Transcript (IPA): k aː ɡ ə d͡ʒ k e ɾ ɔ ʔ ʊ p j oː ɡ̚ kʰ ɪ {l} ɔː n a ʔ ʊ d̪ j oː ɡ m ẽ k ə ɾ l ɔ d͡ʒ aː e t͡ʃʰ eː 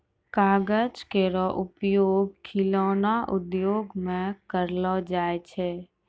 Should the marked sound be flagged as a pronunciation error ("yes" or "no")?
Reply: no